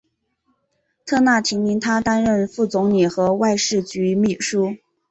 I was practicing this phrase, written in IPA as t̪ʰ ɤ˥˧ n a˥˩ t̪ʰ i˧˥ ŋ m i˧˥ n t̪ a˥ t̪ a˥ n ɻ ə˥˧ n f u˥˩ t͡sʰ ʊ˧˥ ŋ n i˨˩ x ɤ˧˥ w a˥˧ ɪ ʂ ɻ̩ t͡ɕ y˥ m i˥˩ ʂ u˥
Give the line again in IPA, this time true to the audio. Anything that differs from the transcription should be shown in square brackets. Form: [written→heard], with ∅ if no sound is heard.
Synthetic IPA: t̪ʰ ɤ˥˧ n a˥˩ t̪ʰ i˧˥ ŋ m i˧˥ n [t̪→t̪ʰ] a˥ t̪ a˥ n ɻ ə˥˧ n f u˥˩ [t͡sʰ→t͡s] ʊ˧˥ ŋ n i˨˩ x ɤ˧˥ w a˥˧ ɪ ʂ ɻ̩ t͡ɕ [y˥→y˧˥] m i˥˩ ʂ u˥